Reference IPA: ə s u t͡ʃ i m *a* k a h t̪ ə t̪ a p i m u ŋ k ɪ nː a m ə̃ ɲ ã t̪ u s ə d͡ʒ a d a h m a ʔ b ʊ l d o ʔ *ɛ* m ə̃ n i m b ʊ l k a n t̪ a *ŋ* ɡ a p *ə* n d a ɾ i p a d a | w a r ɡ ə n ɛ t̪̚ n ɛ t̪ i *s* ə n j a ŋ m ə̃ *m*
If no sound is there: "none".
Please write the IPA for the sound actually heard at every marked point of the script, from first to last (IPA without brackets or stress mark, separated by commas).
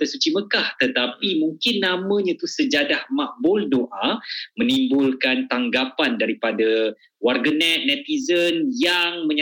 ə, a, ŋ, a, z, ɲ